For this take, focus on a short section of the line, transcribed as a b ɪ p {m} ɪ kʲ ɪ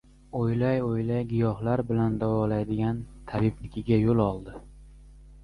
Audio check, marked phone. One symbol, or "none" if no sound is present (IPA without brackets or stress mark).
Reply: n